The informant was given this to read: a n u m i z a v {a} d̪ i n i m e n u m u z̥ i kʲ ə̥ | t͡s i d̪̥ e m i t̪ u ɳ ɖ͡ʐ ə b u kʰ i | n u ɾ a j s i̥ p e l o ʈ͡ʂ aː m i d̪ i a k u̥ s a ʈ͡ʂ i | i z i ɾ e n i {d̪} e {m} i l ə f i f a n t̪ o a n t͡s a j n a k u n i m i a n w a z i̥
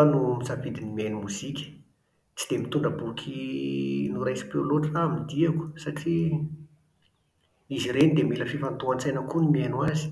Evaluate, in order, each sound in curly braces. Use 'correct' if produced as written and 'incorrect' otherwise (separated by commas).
incorrect, correct, correct